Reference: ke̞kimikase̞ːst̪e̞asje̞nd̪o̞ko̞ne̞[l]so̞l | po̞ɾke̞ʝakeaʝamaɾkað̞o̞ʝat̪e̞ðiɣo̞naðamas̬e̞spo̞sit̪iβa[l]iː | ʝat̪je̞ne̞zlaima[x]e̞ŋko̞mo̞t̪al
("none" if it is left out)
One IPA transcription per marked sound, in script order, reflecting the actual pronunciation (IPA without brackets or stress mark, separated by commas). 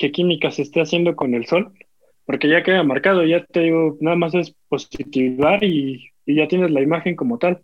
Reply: l, ɾ, x